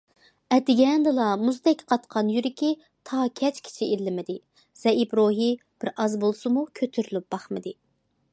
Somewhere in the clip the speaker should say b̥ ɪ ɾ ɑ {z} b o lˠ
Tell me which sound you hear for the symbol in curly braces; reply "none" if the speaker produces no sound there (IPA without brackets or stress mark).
z